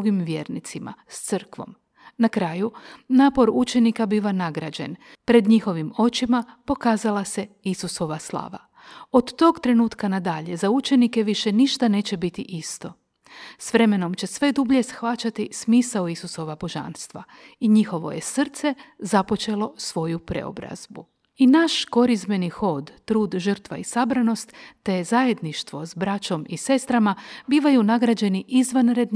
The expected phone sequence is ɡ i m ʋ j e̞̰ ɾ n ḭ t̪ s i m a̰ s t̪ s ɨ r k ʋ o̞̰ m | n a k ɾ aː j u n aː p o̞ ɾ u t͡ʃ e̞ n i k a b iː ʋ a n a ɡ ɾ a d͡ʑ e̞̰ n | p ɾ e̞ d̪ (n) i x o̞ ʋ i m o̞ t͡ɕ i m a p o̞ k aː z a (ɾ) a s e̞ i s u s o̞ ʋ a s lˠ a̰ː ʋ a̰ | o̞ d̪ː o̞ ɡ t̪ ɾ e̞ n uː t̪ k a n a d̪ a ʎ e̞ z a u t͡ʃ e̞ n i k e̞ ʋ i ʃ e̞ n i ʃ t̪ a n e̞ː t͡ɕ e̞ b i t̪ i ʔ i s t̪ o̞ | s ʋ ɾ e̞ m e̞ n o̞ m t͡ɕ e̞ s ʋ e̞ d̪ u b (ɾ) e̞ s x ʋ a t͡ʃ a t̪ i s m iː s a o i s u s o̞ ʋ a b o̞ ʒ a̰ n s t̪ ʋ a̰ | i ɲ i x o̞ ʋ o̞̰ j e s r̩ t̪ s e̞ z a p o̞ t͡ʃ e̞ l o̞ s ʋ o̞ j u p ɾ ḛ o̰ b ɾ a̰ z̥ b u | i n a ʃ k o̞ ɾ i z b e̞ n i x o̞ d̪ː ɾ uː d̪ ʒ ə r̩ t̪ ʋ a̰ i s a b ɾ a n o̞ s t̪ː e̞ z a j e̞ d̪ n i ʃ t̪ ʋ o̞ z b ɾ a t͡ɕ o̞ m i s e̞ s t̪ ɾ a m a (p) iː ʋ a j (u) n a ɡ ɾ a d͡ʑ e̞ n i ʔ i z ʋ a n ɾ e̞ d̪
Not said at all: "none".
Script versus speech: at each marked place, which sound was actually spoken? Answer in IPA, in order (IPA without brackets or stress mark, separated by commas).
ɲ, l, ʎ, b, u